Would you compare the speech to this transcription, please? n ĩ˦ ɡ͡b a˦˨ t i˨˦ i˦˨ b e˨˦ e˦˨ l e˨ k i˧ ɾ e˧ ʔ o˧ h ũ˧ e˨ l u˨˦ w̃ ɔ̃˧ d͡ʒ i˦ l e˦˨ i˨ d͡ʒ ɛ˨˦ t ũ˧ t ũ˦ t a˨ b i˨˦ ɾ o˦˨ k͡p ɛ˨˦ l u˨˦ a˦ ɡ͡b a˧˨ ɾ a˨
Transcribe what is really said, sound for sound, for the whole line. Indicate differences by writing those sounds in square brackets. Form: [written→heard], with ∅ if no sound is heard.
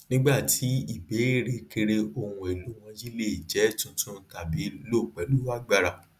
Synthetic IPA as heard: n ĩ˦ ɡ͡b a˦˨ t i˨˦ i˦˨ b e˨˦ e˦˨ [l→ɾ] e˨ k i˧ ɾ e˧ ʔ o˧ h ũ˧ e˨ l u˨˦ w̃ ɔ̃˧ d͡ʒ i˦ l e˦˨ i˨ d͡ʒ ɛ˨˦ t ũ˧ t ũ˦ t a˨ b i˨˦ [ɾ→l] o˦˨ k͡p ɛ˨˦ l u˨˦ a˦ ɡ͡b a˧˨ ɾ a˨

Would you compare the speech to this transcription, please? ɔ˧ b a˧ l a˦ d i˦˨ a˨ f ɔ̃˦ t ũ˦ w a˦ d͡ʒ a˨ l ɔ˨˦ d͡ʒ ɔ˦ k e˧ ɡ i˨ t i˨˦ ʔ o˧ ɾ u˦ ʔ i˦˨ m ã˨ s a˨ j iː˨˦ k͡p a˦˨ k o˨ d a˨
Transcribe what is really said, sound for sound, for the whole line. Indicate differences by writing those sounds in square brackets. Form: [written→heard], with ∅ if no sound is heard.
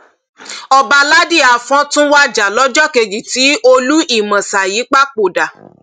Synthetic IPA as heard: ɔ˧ b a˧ l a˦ d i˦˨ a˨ f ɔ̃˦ t ũ˦ w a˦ d͡ʒ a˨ l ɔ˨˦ d͡ʒ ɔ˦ k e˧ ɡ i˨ t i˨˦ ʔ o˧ [ɾ→l] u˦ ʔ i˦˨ m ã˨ s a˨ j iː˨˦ k͡p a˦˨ [k→k͡p] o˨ d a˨

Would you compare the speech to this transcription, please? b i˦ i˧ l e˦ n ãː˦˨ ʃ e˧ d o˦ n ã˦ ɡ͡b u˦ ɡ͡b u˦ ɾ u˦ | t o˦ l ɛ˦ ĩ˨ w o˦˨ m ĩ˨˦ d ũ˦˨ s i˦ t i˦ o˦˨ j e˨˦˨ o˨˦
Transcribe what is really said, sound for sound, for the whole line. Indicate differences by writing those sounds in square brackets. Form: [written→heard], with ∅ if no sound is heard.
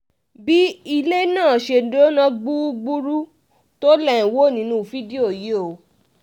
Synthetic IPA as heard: b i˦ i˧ l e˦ n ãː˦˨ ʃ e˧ d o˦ n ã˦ ɡ͡b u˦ ɡ͡b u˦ ɾ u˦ | t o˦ l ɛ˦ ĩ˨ w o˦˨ [m→n] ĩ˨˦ [d→n] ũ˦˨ [s→f] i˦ [t→d] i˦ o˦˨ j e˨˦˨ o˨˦

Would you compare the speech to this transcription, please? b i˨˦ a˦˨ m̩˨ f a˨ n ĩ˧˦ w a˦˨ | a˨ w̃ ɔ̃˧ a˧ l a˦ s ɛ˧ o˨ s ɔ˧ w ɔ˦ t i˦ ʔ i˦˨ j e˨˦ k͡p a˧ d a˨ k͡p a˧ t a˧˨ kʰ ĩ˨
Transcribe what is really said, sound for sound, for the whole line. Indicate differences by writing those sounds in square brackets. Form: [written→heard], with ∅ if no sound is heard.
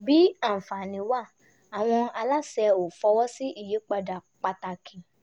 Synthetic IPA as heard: b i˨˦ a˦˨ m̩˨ f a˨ n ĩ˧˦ w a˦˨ | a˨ w̃ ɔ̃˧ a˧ l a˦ s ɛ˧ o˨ [s→f] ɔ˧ w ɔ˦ [t→s] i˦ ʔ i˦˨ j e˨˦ k͡p a˧ d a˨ k͡p a˧ t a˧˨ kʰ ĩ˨

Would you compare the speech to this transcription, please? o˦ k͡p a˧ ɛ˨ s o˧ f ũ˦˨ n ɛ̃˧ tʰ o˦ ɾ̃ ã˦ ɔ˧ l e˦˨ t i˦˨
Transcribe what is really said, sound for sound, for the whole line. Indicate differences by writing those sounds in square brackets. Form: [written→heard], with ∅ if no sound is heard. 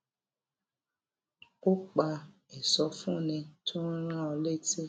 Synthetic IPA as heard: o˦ k͡p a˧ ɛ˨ s [o˧→ɔ˧] f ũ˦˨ n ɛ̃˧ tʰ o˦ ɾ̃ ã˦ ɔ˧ l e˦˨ t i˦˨

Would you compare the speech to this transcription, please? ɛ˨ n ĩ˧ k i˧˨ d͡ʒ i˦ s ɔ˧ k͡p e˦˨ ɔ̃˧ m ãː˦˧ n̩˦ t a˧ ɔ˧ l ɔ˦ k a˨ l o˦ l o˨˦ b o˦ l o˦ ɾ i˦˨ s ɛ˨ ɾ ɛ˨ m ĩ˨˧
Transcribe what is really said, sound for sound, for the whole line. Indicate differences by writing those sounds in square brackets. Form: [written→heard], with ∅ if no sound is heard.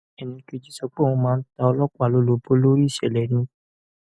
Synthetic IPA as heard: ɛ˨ n ĩ˧ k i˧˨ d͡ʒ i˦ s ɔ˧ k͡p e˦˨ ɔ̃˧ m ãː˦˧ n̩˦ t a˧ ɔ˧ l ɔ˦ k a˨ l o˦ l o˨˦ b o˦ l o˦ ɾ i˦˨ [s→ʃ] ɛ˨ [ɾ→l] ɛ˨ [m→n] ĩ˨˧

